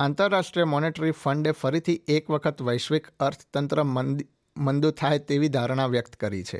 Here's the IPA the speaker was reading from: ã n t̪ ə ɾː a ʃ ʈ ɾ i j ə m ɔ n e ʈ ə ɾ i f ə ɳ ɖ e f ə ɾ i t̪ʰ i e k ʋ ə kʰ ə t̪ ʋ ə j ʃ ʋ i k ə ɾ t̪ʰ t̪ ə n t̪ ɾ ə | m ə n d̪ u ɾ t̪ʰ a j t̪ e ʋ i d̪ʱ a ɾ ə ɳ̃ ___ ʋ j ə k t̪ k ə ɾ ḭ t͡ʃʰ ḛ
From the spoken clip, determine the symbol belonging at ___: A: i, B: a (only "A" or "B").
B